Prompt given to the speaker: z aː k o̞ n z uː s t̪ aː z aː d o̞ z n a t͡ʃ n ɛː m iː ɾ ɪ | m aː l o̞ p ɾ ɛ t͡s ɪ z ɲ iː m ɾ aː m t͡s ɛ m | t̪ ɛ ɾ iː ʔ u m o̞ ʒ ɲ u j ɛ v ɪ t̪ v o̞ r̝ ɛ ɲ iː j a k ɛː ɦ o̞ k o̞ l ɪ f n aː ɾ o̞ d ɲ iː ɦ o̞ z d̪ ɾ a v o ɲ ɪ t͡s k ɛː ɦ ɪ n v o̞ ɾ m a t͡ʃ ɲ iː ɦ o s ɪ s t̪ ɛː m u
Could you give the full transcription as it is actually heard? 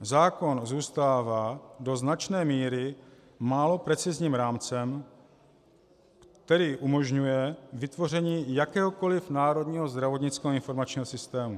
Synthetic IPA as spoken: z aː k o̞ n z uː s t̪ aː v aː d o̞ z n a t͡ʃ n ɛː m iː ɾ ɪ | m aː l o̞ p ɾ ɛ t͡s ɪ z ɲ iː m ɾ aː m t͡s ɛ m | t̪ ɛ ɾ iː ʔ u m o̞ ʒ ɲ u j ɛ v ɪ t̪ v o̞ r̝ ɛ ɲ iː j a k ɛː ɦ o̞ k o̞ l ɪ f n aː ɾ o̞ d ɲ iː ɦ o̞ z d̪ ɾ a v o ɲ ɪ t͡s k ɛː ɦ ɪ n f o̞ ɾ m a t͡ʃ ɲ iː ɦ o s ɪ s t̪ ɛː m u